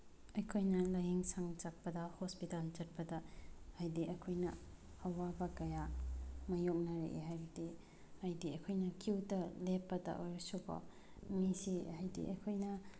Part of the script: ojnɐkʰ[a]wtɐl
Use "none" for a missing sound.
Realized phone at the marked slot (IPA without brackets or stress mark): i